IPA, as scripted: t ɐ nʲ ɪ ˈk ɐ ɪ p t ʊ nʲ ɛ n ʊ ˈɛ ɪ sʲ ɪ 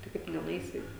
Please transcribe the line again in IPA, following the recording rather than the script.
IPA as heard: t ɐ ɪ ˈk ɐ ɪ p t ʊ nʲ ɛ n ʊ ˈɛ ɪ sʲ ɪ